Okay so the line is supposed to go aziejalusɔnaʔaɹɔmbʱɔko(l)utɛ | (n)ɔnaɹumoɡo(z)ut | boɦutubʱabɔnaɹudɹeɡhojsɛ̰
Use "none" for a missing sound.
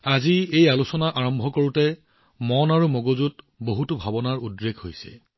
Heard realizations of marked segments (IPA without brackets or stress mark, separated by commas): ɹ, m, z